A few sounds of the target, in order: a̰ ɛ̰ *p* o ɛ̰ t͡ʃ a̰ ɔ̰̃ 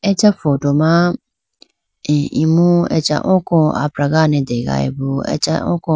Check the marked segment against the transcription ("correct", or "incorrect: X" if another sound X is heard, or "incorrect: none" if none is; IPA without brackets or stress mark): incorrect: b